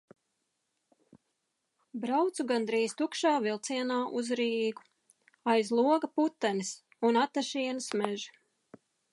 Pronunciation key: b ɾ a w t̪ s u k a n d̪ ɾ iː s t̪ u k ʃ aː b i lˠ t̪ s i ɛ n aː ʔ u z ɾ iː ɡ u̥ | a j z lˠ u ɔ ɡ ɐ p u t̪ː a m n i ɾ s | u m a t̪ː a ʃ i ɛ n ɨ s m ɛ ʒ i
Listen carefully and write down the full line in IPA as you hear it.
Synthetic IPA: b ɾ a w t̪ s u ɡ a n d̪ ɾ iː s t̪ u k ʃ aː v i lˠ t̪ s i ɛ n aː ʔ u z ɾ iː ɡ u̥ | a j z lˠ u ɔ ɡ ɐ p u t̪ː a n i s | u n a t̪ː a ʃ i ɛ n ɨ s m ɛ ʒ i